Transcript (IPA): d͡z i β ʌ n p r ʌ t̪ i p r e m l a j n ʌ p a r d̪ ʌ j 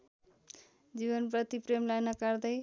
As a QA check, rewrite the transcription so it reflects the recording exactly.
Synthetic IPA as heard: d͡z i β ʌ n p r ʌ t̪ i p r e m l a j n ʌ k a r d̪ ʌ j